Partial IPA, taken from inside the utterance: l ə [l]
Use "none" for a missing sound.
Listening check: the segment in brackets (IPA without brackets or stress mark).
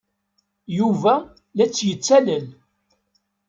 l